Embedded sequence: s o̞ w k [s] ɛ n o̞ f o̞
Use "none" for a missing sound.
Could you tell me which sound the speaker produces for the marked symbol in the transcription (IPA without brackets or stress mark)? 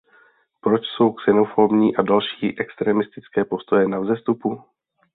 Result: s